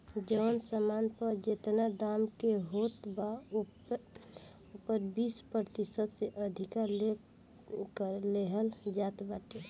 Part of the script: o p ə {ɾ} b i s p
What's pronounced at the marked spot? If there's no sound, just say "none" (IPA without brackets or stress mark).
ɾ